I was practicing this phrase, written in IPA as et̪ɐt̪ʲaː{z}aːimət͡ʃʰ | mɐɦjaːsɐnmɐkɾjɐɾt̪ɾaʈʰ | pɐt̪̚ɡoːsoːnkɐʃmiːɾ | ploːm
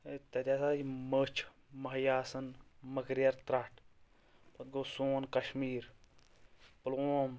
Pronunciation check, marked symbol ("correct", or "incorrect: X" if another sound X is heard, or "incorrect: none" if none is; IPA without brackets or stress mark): incorrect: s